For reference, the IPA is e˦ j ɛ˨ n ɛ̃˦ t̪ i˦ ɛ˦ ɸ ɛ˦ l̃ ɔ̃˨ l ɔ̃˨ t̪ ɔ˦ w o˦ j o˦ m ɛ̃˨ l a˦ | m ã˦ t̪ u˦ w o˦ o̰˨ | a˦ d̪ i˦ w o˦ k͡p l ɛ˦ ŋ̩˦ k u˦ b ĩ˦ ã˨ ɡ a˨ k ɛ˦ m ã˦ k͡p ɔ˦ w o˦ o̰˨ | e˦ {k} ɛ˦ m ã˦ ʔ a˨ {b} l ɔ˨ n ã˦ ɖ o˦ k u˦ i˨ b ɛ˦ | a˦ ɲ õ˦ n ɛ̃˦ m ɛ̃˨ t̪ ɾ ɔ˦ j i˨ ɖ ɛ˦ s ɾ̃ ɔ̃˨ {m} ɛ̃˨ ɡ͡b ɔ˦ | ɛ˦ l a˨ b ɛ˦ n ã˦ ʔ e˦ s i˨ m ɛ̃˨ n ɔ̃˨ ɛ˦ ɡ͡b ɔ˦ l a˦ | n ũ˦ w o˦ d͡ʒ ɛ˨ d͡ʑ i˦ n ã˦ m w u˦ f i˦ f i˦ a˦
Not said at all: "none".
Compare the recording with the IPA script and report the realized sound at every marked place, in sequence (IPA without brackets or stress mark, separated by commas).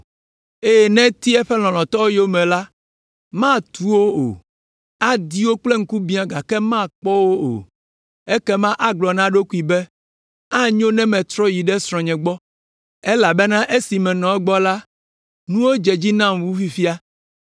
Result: k, ɡ͡b, ɲ